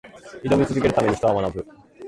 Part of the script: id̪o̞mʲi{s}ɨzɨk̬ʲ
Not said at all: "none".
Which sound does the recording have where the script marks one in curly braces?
t͡s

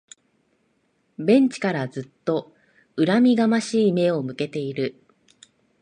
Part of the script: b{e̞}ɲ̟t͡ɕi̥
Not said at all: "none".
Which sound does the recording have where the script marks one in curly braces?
ẽ̞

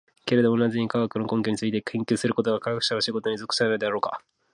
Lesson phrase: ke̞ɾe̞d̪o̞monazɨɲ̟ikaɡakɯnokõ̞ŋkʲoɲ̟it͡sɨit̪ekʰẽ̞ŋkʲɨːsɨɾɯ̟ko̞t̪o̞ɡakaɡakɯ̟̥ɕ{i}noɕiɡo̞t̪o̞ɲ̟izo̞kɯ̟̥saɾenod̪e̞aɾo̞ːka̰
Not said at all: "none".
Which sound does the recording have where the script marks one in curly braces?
a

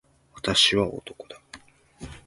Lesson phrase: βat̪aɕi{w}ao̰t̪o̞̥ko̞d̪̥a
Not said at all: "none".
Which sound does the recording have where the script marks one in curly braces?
β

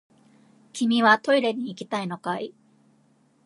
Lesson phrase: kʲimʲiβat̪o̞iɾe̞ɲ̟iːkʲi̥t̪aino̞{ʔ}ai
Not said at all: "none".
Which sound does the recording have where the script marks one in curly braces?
k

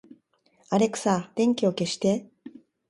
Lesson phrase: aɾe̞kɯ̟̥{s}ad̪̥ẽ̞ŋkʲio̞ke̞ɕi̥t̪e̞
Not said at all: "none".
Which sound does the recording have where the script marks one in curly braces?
s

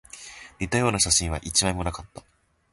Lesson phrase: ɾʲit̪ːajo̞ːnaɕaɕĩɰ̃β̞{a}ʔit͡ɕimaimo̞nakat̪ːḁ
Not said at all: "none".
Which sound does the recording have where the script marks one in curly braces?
a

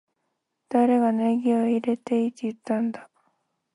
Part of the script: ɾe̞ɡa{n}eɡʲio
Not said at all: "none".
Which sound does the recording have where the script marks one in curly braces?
n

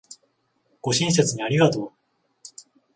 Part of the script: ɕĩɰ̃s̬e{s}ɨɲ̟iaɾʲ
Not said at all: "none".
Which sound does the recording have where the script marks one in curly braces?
t͡s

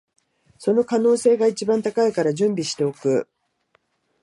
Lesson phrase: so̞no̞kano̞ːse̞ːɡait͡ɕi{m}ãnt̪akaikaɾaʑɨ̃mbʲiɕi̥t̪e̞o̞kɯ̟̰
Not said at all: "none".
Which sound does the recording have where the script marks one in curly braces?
b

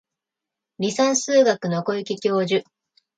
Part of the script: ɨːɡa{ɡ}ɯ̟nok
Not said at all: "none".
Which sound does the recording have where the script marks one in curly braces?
k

